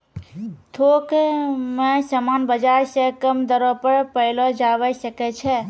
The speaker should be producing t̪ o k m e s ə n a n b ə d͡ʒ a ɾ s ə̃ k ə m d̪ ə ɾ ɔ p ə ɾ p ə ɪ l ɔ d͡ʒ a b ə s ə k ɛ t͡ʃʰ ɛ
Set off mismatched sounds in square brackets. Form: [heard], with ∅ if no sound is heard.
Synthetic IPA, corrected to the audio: [t̪ʰ] o k m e s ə [m] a n b ə d͡ʒ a ɾ s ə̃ k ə m d̪ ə ɾ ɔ p ə ɾ p ə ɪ l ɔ d͡ʒ a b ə s ə k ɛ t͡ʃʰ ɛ